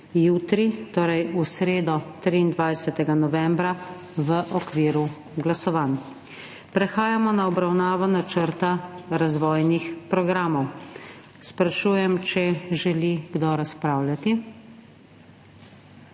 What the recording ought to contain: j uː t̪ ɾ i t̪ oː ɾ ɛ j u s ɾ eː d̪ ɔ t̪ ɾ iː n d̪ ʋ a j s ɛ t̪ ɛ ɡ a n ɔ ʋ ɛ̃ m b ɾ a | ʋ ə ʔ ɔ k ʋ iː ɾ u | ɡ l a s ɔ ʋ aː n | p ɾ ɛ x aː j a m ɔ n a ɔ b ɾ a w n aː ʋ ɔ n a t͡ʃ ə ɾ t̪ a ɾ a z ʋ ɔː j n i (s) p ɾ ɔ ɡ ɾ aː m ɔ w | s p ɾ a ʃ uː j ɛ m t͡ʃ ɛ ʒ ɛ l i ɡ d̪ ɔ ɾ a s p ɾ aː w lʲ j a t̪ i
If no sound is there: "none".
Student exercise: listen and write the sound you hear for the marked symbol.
x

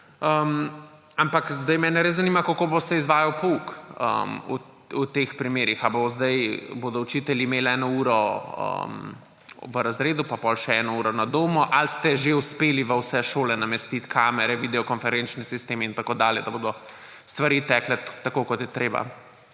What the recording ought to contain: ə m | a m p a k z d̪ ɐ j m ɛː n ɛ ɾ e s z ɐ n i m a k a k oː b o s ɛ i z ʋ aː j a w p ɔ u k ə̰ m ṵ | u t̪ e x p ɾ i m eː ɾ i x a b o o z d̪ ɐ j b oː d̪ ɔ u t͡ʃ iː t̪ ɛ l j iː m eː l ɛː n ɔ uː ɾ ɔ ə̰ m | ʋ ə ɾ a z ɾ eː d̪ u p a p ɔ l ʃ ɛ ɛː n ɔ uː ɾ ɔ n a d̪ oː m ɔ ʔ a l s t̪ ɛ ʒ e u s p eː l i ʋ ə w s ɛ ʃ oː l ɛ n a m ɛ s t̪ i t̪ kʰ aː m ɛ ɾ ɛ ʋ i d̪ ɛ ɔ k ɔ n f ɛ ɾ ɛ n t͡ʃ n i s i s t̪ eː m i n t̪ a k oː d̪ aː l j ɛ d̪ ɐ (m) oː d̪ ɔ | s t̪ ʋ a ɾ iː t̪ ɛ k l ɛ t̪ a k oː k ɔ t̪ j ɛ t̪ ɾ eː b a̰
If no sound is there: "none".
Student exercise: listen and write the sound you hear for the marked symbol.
b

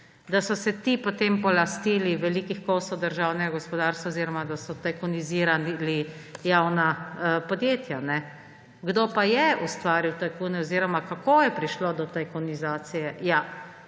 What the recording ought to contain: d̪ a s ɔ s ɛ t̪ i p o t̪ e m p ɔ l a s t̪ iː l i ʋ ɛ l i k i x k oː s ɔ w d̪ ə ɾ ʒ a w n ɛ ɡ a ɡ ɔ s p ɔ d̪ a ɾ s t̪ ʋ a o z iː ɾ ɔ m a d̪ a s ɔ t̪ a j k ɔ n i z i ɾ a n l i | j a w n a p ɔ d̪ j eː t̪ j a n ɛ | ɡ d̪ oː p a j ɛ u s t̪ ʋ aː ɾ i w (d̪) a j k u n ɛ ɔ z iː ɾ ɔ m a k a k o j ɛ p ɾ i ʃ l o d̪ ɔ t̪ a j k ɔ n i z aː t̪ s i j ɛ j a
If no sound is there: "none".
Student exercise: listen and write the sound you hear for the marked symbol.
t̪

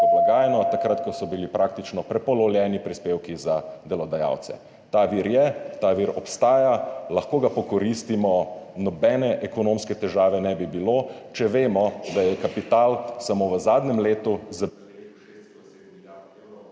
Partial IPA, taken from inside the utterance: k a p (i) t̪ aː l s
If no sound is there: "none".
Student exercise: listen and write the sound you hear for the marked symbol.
i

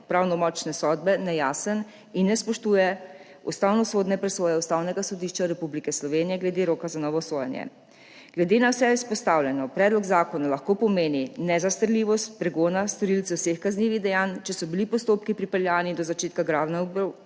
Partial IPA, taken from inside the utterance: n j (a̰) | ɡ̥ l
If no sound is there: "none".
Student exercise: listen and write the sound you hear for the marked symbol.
ɛ̰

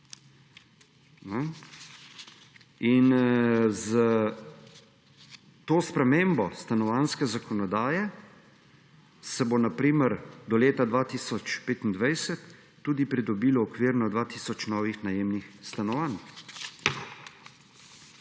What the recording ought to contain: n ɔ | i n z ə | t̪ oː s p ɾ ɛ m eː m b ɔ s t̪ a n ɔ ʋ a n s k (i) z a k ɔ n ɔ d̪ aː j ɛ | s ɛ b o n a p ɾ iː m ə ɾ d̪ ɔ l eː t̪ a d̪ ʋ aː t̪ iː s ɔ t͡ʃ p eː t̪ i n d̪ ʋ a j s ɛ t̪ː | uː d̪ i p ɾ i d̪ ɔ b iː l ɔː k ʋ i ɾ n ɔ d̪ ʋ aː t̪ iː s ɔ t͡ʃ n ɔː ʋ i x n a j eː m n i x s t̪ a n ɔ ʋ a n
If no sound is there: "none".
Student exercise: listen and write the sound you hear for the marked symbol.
ɛ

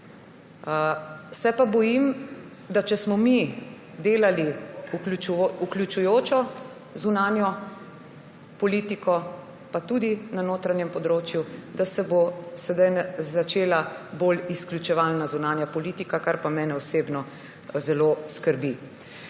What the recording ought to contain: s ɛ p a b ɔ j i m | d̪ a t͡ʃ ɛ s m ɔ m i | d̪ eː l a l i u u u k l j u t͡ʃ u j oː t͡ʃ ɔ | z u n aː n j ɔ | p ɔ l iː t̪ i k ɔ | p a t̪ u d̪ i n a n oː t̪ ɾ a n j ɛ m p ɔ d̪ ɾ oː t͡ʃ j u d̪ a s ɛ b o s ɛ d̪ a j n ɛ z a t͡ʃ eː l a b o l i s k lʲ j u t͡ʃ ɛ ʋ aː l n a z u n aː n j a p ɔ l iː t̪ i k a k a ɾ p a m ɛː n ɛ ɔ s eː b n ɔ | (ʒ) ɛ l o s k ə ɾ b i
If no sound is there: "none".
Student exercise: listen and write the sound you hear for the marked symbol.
z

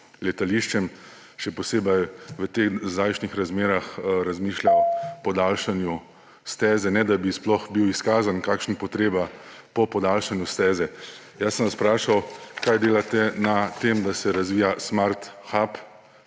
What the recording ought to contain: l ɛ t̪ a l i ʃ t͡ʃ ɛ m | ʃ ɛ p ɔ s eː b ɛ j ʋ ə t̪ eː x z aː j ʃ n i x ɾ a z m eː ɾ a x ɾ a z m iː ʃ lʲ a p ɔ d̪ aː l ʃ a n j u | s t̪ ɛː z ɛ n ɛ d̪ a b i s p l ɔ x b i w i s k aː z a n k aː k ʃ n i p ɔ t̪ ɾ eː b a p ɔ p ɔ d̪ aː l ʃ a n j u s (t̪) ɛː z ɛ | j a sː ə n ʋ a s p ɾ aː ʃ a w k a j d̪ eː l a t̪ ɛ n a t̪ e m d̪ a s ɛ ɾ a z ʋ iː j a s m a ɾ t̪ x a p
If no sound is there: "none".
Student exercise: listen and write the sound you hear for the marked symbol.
t̪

